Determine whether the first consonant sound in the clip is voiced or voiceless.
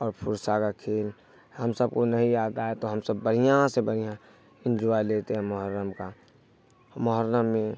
voiced